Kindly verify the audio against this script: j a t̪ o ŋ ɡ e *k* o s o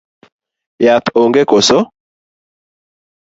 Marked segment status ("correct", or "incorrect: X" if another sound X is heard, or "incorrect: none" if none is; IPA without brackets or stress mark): correct